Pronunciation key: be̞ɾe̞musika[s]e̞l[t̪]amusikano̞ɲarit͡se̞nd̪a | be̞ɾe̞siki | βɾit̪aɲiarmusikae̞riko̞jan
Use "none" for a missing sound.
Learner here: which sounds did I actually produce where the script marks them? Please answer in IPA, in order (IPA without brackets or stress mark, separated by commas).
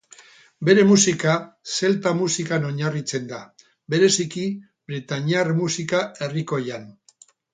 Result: s, t̪